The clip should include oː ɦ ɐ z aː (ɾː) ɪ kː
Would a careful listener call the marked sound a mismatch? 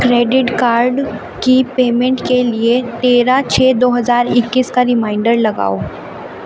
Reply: yes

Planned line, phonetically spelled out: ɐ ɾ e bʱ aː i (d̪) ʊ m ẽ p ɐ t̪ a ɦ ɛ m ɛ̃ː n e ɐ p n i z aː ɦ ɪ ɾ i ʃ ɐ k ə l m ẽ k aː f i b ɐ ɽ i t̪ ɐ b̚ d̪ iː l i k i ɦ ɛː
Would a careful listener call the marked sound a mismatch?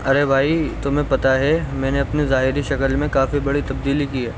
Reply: yes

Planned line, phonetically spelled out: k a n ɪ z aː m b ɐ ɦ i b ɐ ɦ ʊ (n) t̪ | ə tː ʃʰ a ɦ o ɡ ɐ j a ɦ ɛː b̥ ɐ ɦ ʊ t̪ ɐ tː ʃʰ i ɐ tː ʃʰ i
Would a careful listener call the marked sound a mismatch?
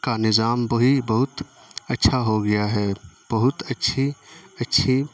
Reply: yes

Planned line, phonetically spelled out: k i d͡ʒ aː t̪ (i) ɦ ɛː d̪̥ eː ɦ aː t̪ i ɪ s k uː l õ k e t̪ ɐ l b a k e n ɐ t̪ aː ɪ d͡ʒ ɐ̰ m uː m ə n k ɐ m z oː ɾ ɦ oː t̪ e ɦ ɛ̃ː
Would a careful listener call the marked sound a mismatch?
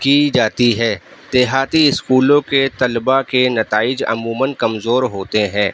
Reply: no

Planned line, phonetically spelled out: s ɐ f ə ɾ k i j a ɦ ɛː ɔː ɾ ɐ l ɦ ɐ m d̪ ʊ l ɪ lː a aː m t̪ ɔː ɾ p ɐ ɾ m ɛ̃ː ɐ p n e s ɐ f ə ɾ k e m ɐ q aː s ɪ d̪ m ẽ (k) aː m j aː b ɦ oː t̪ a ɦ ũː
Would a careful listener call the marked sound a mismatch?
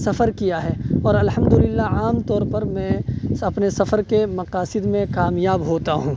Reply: no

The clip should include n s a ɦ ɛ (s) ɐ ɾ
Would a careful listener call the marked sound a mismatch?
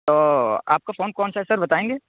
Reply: no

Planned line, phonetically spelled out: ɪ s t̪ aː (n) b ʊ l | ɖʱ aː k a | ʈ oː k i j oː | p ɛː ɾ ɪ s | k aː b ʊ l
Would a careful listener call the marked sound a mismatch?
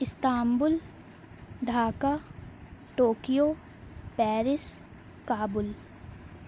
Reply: yes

